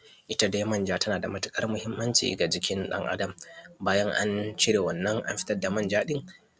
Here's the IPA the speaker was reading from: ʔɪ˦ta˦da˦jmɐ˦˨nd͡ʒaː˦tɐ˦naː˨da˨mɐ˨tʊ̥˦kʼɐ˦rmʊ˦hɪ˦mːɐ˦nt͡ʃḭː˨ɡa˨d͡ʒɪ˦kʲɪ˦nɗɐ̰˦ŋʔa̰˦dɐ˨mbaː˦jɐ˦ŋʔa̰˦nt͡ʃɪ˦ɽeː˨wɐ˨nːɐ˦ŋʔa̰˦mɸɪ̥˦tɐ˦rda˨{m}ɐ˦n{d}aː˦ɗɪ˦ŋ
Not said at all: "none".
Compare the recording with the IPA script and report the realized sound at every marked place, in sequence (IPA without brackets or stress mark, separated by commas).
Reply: m, d͡ʒ